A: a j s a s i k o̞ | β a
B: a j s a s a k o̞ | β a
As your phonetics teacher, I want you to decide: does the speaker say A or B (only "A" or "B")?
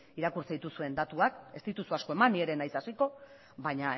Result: A